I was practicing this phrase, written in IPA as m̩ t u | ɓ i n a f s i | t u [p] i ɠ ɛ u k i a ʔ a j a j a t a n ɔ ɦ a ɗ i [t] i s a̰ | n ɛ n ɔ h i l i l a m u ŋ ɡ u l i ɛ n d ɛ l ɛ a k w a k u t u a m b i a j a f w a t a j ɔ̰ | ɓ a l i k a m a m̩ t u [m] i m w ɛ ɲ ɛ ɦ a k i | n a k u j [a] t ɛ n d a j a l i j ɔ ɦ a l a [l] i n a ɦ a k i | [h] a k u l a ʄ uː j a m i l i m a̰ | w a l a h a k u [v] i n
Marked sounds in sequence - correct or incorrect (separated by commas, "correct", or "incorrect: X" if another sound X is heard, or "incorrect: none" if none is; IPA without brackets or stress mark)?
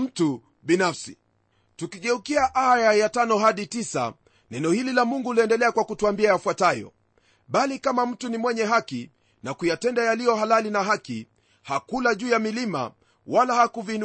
incorrect: k, correct, incorrect: n, correct, correct, correct, correct